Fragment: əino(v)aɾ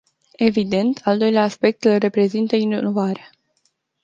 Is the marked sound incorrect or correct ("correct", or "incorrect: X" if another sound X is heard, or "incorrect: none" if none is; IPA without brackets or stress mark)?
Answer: correct